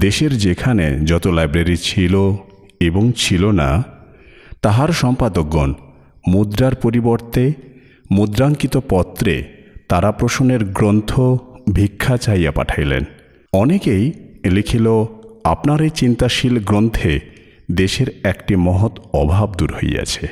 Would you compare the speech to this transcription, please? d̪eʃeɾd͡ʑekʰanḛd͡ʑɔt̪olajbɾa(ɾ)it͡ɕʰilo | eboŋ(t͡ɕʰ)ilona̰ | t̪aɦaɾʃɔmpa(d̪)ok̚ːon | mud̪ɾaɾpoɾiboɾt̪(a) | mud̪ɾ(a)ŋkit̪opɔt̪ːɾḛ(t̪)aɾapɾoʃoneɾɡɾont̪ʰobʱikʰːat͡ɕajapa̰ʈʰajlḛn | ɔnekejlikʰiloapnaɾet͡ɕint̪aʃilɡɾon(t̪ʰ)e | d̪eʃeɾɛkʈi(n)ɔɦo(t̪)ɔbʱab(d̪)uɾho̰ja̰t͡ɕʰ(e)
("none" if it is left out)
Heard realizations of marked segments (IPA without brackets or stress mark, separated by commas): ɾ, t͡ɕʰ, d̪, e, a, t̪, t̪ʰ, m, t̪, d̪, e